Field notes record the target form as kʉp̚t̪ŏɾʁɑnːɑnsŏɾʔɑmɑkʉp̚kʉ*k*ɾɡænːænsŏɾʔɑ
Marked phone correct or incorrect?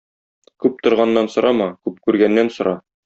incorrect